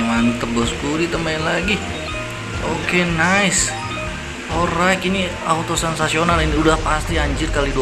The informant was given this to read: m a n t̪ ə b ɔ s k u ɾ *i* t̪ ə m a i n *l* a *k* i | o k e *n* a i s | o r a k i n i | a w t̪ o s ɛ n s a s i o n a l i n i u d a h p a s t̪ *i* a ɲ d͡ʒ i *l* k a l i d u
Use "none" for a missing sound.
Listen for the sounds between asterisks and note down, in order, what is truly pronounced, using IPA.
i, l, ɡ, n, i, r

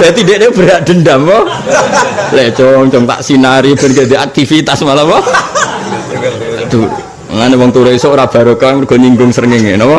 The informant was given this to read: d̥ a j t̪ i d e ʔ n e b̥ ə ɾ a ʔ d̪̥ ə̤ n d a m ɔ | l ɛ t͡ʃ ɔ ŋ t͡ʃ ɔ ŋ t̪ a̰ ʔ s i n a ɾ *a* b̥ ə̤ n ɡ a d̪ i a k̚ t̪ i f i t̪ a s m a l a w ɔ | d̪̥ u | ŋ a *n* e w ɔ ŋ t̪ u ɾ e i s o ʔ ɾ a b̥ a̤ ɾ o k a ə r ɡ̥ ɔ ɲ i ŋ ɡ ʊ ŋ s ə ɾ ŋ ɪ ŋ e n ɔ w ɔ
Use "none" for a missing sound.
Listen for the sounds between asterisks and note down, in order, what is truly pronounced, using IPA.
i, n

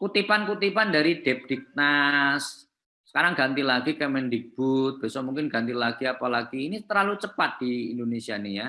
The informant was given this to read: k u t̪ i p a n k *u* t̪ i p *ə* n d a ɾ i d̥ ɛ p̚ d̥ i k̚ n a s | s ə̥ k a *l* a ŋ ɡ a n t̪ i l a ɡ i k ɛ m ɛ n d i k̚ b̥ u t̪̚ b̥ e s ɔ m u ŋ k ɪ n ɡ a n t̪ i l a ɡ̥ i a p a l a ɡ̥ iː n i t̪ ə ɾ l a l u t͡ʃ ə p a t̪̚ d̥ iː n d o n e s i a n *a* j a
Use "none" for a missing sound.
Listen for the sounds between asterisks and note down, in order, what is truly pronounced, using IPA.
u, a, ɾ, i

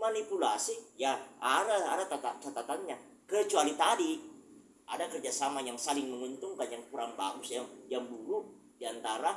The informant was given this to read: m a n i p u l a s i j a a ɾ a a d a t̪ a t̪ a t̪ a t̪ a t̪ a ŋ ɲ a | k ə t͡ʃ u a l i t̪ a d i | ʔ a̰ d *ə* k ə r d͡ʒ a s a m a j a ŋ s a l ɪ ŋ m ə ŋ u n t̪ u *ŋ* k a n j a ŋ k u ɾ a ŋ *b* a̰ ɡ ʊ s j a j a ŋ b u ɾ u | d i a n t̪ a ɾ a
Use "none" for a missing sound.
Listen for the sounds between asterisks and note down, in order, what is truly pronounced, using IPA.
a, ŋ, b

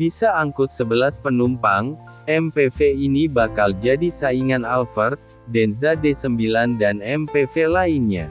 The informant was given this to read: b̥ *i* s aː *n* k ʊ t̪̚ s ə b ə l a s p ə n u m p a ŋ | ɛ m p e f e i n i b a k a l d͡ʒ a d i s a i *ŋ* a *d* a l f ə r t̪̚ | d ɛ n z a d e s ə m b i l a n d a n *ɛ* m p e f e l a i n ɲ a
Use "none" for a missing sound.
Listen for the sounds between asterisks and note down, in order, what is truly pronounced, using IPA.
i, ŋ, ŋ, n, ɛ

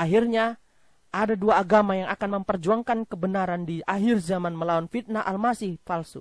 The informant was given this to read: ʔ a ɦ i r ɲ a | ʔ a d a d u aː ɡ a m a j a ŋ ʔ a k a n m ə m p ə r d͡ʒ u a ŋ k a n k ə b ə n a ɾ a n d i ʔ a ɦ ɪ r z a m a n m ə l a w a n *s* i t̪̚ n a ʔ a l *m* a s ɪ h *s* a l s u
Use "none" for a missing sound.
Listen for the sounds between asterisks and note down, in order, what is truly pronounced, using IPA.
f, m, f

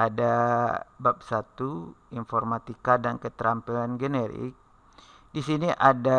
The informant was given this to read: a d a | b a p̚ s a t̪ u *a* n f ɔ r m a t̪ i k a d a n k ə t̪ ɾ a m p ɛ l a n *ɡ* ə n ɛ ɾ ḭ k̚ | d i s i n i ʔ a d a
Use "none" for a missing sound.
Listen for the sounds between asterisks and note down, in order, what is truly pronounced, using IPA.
i, ɡ

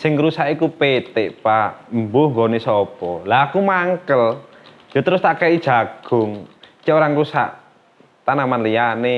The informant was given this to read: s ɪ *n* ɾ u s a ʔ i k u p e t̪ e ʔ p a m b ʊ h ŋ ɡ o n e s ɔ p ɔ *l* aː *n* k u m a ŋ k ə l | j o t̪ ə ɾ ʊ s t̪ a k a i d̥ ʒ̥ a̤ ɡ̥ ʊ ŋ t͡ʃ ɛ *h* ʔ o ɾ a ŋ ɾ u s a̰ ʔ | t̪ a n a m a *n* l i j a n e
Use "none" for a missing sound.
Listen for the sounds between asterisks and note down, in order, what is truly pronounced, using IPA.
ŋ, l, none, none, n

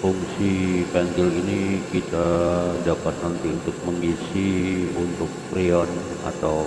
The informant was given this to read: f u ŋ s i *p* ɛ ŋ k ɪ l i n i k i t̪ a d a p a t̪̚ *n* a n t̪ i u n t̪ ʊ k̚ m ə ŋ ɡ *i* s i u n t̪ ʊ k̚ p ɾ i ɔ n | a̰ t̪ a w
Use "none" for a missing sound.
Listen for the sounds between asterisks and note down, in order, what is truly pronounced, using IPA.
p, n, i

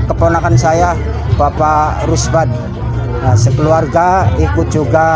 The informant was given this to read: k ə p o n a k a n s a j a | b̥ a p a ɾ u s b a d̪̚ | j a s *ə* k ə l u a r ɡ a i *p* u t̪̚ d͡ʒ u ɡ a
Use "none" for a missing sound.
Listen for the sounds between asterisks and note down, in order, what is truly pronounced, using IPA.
ə, k

